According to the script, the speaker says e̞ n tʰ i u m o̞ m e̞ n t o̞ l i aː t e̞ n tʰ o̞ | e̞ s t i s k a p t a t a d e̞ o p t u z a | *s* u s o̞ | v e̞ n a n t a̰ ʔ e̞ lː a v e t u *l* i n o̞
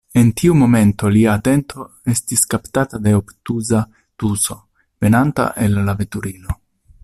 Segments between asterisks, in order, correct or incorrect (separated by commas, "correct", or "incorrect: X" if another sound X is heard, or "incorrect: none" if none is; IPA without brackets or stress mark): incorrect: t, incorrect: ɾ